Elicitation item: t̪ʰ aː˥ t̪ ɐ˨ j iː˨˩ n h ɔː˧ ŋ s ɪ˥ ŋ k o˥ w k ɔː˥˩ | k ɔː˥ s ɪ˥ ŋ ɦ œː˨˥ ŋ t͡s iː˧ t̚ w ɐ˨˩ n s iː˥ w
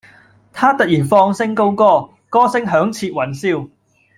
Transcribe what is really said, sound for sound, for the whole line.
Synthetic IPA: t̪ʰ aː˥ t̪ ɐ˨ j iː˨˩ n f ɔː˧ ŋ s ɪ˥ ŋ k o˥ w k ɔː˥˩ | k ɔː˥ s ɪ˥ ŋ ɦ œː˨˥ ŋ t͡sʰ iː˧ t̚ w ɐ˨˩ n s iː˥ w